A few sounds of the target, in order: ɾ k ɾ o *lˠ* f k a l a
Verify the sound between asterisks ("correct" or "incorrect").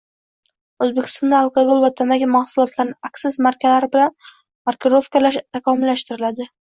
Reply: incorrect